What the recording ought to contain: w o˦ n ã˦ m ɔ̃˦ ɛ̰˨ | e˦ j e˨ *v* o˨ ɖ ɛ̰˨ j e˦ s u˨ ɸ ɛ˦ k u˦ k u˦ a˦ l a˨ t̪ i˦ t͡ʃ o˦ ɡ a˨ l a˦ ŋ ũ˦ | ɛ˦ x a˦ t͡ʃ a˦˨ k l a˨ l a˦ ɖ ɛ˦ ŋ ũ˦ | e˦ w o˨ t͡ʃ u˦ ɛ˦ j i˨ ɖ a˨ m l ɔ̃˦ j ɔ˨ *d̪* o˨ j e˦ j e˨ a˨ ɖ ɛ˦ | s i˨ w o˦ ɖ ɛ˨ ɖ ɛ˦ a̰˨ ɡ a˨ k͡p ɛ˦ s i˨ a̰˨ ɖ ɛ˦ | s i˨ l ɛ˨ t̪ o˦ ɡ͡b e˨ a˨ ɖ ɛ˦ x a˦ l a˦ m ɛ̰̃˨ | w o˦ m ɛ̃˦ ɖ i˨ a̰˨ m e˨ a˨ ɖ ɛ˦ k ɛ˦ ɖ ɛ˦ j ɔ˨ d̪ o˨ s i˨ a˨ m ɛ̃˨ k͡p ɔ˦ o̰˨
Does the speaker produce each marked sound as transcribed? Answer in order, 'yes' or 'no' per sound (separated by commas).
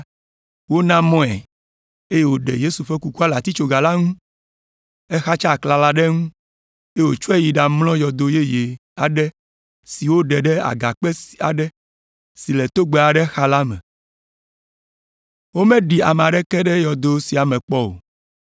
no, yes